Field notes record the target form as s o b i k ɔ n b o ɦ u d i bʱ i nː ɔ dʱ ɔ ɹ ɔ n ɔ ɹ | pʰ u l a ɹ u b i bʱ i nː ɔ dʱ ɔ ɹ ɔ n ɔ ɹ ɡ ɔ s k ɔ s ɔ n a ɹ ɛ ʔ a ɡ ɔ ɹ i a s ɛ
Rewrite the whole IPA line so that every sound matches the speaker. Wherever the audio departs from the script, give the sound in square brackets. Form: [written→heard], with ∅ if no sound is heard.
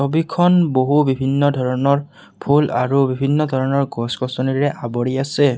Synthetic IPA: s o b i [k→kʰ] ɔ n b o ɦ u [d→b] i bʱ i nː ɔ dʱ ɔ ɹ ɔ n ɔ ɹ | pʰ u l a ɹ u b i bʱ i nː ɔ dʱ ɔ ɹ ɔ n ɔ ɹ ɡ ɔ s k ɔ s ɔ n [a→i] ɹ ɛ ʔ a [ɡ→b] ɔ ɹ i a s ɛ